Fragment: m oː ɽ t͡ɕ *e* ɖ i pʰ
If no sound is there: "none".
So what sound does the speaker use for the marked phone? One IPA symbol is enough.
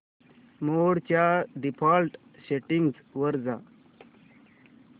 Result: a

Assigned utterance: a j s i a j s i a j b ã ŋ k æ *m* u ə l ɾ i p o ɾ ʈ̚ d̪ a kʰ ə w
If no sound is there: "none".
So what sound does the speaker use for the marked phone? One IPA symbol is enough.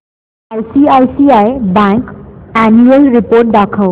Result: n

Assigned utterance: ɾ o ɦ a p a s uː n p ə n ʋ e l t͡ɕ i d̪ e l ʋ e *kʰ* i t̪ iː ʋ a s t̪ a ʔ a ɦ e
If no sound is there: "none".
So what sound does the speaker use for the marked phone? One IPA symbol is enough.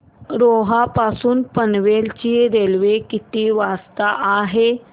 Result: k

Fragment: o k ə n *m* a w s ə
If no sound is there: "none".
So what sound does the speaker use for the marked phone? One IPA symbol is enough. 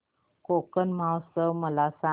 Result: m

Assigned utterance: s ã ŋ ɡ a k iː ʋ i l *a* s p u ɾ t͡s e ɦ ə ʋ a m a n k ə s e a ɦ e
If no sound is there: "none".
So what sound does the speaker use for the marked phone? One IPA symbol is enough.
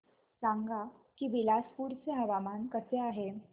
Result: a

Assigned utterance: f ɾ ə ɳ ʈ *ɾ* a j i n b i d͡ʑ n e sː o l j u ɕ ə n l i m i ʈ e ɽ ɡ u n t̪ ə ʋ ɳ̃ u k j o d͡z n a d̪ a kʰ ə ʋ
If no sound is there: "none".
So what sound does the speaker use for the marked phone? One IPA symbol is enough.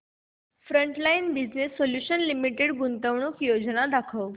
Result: l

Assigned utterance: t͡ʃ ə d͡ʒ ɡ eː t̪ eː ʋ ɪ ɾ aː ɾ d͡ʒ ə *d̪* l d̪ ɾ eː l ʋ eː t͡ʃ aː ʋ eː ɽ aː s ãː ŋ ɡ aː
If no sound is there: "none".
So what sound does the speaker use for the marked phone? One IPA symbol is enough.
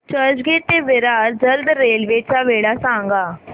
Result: none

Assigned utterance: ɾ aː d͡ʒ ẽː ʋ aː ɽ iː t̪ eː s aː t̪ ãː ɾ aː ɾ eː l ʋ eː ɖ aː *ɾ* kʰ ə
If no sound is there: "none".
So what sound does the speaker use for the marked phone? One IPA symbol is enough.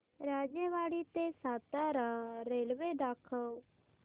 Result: none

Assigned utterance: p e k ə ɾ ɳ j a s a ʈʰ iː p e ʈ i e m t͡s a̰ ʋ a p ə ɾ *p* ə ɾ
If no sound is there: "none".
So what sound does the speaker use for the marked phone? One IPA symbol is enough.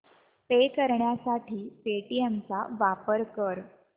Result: k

